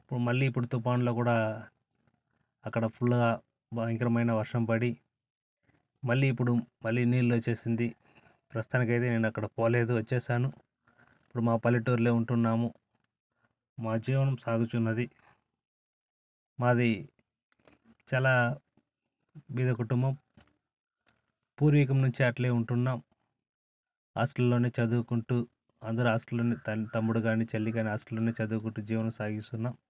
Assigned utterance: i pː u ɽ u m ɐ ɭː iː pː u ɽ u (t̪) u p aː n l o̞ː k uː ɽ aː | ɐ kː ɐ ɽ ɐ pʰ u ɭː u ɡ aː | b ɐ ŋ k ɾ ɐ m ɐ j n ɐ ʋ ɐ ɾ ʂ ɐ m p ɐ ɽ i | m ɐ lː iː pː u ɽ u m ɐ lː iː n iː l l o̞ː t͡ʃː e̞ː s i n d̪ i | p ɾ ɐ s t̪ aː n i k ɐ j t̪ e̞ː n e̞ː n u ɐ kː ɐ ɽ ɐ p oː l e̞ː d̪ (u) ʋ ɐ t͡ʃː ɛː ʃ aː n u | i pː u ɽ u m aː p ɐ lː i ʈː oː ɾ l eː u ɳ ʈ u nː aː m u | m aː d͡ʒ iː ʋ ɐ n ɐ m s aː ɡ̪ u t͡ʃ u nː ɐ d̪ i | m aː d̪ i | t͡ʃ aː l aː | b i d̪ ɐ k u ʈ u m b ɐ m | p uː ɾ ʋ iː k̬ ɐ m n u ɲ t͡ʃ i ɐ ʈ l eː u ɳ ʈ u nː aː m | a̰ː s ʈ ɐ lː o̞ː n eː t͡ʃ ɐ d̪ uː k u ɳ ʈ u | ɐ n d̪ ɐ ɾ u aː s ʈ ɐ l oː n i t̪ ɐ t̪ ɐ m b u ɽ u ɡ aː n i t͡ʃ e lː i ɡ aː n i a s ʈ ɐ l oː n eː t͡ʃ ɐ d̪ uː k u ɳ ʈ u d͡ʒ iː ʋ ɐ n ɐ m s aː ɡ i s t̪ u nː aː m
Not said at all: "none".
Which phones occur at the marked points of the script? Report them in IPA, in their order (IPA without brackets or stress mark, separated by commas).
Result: t̪, u